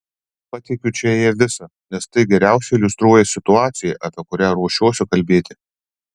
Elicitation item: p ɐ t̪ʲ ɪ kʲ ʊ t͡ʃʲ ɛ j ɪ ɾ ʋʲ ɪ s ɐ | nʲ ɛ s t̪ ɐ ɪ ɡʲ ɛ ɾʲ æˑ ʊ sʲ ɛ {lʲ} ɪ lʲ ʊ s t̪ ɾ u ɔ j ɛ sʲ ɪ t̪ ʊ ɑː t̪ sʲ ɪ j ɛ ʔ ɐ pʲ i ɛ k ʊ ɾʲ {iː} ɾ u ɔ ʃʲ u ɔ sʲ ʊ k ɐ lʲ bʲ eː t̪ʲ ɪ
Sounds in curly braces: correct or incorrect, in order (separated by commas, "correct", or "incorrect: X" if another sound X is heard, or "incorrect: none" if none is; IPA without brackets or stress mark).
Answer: incorrect: none, incorrect: æː